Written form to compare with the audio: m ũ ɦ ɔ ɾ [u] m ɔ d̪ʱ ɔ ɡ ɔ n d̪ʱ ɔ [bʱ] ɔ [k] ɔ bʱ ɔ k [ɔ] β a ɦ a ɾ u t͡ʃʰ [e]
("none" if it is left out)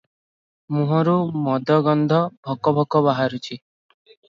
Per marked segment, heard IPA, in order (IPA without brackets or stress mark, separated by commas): u, bʱ, k, ɔ, i